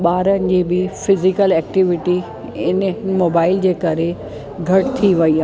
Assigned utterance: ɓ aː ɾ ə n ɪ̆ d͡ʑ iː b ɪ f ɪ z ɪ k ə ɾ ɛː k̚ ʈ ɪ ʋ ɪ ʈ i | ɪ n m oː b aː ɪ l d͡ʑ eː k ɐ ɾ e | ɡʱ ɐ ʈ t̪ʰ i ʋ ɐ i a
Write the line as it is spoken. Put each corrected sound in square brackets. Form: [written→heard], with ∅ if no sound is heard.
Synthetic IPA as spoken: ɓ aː ɾ ə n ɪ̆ d͡ʑ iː b ɪ f ɪ z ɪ k ə [ɾ→l] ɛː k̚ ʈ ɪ ʋ ɪ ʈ i | ɪ n m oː b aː ɪ l d͡ʑ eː k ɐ ɾ e | ɡʱ ɐ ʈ t̪ʰ i ʋ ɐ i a